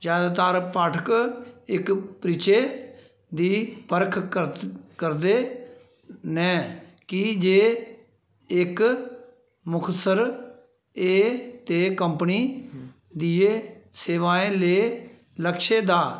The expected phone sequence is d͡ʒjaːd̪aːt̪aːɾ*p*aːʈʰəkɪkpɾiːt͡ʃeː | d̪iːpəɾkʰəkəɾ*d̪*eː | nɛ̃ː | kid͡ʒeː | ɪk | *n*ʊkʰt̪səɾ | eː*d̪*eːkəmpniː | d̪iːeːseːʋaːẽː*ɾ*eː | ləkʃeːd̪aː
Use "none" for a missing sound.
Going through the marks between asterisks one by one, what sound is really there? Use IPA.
p, d̪, m, t̪, l

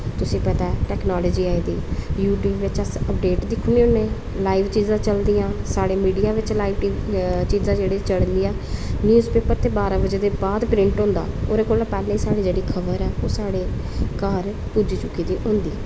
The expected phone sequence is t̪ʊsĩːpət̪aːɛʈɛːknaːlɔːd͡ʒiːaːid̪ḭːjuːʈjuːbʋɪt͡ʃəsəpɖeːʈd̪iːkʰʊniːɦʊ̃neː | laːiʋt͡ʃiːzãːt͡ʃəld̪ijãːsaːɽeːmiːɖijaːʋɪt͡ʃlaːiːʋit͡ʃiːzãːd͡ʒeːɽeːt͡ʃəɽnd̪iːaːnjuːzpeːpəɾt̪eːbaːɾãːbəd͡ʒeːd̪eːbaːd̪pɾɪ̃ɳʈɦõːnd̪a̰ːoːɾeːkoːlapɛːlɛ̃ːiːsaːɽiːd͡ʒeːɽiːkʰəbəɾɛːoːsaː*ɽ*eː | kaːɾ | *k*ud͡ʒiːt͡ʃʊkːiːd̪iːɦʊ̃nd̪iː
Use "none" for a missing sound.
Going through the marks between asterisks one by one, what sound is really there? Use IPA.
ɽ, p

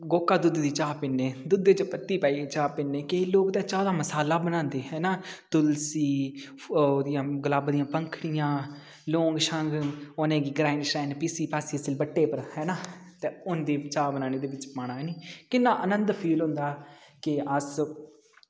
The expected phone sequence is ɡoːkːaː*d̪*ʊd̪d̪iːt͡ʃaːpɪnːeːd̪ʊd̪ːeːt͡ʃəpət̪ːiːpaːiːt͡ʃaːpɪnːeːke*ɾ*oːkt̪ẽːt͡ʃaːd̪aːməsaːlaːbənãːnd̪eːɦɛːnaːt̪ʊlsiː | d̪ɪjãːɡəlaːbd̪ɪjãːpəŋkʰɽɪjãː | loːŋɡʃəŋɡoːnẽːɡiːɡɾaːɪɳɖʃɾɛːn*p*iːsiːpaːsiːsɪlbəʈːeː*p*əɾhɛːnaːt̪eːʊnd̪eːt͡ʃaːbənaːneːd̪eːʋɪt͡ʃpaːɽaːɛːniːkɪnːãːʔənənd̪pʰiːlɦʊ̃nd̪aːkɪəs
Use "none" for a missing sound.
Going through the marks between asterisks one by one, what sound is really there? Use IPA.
d̪, l, p, p

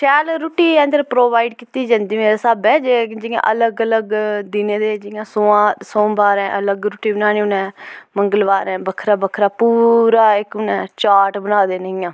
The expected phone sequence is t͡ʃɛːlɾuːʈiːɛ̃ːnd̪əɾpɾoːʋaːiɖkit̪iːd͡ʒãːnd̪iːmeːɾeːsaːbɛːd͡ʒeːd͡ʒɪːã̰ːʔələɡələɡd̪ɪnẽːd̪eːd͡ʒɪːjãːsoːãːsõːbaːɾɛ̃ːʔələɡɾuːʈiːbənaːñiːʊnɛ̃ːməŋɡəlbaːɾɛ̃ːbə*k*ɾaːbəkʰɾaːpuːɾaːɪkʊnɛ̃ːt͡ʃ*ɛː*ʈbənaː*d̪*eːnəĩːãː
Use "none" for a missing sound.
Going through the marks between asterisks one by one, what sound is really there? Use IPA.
kʰ, aː, d̪

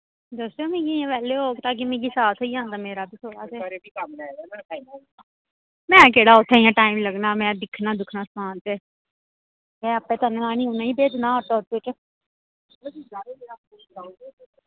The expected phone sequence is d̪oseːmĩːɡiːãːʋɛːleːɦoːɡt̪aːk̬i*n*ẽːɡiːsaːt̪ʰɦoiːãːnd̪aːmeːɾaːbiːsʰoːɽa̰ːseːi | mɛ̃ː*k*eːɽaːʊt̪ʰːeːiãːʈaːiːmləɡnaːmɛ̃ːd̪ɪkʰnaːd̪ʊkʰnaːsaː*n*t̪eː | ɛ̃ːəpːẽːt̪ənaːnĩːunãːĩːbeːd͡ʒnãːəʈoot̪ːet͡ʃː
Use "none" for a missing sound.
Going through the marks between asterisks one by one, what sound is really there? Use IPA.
m, k, n

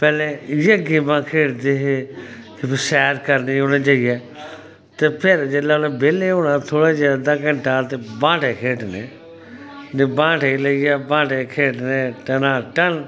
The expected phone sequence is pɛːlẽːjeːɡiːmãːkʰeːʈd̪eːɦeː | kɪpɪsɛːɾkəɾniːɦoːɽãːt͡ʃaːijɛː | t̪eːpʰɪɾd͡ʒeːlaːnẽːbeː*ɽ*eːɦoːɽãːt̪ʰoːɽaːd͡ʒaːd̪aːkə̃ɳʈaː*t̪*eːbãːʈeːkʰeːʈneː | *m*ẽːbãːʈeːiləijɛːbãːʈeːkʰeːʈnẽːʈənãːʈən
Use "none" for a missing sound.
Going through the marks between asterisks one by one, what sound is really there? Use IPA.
l, t̪, n

